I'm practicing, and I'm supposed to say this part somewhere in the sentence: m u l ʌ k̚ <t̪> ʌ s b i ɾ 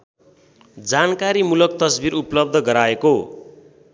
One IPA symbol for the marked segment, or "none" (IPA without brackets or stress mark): t̪